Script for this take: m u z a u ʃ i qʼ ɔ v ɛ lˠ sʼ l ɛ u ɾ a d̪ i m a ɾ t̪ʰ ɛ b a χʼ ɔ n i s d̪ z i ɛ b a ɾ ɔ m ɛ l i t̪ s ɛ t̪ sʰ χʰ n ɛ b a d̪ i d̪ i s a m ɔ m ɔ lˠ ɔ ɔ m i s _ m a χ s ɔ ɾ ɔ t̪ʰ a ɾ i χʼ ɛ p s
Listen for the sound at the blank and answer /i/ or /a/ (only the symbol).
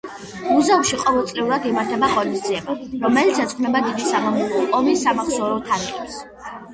a